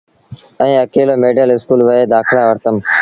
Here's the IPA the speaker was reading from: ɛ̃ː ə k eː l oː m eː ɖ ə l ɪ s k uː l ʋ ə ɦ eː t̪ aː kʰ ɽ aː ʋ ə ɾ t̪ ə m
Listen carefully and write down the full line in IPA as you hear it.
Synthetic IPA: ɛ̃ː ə k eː l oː m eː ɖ ə l ɪ s k uː l ʋ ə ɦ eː d̪ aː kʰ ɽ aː ʋ ə ɾ t̪ ə m